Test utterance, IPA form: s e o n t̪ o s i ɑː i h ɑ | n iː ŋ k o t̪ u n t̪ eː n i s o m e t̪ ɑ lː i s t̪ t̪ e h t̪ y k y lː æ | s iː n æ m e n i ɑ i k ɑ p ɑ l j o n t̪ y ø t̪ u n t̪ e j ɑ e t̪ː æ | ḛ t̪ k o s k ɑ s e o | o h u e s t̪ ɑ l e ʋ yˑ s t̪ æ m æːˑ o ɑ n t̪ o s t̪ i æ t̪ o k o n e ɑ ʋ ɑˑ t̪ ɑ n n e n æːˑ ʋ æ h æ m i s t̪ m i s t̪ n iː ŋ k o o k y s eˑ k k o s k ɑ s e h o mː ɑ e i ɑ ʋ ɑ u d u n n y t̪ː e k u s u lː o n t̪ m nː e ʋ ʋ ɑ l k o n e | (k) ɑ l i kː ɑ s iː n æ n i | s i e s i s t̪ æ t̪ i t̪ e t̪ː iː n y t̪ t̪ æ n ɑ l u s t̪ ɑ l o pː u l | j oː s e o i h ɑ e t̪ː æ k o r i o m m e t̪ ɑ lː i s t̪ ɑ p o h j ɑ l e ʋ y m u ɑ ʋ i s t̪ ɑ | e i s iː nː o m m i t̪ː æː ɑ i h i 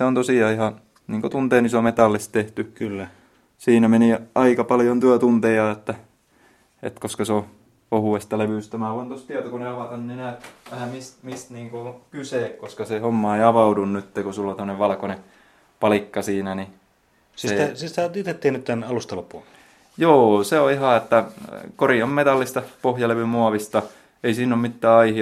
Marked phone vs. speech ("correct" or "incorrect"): incorrect